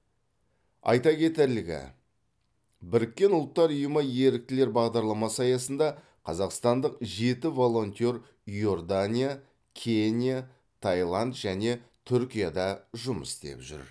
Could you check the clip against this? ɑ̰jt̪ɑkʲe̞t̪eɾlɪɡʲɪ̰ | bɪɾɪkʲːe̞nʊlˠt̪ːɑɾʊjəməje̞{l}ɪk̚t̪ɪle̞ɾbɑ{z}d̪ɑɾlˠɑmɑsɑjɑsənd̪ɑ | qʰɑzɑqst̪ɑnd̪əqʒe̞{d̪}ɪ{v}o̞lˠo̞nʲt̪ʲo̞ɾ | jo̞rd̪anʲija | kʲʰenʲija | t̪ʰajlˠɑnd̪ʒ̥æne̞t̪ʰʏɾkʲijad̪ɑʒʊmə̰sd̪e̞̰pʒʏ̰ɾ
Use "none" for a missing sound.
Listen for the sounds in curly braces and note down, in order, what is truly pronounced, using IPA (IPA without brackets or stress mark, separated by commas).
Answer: ɾ, ʁ, t̪, v